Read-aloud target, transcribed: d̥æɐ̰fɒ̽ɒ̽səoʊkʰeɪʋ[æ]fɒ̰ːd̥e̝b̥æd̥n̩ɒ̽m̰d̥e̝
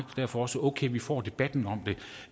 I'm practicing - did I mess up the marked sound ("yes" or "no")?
yes